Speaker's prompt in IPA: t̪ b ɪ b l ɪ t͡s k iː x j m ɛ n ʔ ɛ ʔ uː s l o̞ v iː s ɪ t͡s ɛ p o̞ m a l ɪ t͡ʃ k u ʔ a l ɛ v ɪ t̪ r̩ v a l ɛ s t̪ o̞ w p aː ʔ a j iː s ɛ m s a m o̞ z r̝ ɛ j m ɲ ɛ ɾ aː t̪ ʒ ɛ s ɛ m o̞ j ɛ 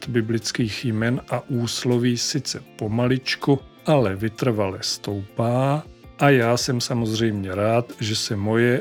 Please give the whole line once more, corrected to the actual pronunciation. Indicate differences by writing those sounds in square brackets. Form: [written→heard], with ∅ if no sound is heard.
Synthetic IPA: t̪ b ɪ b l ɪ t͡s k iː x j m ɛ n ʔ [ɛ→a] ʔ uː s l o̞ v iː s ɪ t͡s ɛ p o̞ m a l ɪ t͡ʃ k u ʔ a l ɛ v ɪ t̪ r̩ v a l ɛ s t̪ o̞ w p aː ʔ a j [iː→aː] s ɛ m s a m o̞ z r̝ ɛ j m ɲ ɛ ɾ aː t̪ ʒ ɛ s ɛ m o̞ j ɛ